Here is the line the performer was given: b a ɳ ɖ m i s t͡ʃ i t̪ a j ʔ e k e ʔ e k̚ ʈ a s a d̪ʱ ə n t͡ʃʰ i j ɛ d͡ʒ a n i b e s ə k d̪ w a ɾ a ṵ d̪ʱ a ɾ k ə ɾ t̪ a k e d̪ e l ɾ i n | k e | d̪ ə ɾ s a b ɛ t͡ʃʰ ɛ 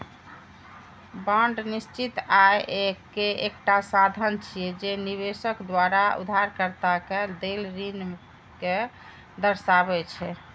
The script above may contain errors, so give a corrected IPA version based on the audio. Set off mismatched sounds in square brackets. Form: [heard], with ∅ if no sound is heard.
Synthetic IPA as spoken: b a ɳ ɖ [n] i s t͡ʃ i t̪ a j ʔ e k e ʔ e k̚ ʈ a s a d̪ʱ ə n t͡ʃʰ i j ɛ d͡ʒ [e] n i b e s ə k d̪ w a ɾ a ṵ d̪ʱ a ɾ k ə ɾ t̪ a k e d̪ e l ɾ i n | k e | d̪ ə ɾ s a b ɛ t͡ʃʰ ɛ